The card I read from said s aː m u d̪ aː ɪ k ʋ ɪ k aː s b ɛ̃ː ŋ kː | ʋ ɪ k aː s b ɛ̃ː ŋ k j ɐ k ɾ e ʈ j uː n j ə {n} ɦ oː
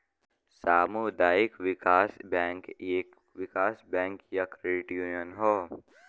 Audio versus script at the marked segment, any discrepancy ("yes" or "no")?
no